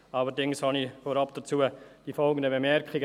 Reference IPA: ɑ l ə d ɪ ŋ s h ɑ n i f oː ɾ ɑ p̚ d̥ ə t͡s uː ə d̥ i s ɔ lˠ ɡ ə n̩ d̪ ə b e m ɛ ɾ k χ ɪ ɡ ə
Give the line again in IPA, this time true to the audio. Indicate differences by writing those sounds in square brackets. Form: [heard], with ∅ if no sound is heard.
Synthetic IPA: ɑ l ə d ɪ ŋ s h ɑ n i f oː ɾ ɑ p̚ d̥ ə t͡s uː ə d̥ i [f] ɔ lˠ ɡ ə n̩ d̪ ə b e m ɛ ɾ k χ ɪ ɡ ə